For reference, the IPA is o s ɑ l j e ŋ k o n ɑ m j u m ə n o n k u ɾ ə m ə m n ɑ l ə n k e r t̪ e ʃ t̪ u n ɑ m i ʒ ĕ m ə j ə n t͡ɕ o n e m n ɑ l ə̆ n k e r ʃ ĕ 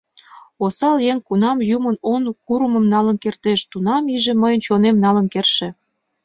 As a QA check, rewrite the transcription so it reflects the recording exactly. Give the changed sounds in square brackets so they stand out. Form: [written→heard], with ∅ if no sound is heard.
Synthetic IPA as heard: o s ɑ l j e ŋ k [o→u] n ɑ m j u m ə n o n k u ɾ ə m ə m n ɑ l ə n k e r t̪ e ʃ t̪ u n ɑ m i ʒ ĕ m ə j ə n t͡ɕ o n e m n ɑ l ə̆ n k e r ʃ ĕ